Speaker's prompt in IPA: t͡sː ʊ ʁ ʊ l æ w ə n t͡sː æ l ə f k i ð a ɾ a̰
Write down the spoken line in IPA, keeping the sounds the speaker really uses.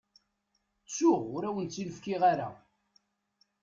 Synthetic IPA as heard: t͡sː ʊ ʁ ʊ ɾ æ w ə n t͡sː i l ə f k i ʁ a ɾ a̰